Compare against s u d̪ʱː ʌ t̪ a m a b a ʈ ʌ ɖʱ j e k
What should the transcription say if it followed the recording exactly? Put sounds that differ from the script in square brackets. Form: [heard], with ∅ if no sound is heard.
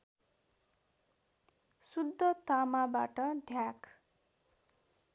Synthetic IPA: s u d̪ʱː ʌ t̪ a m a b a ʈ ʌ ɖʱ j [a] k